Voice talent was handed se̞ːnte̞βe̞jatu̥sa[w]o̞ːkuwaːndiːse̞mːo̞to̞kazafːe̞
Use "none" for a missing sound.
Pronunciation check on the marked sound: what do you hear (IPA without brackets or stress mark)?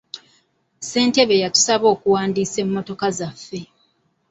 β